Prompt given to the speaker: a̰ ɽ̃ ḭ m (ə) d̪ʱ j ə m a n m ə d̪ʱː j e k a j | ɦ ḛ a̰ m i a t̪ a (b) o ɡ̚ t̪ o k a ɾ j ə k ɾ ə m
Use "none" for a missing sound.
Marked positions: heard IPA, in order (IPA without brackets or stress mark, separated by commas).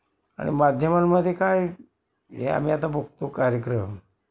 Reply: a, b